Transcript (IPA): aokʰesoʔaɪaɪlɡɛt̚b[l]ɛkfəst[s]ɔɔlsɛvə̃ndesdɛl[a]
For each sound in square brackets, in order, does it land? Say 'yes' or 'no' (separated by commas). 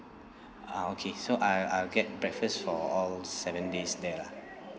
no, no, yes